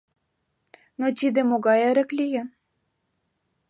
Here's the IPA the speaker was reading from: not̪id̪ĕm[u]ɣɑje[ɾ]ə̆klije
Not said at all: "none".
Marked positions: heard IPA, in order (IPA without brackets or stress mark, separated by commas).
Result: o, ɾ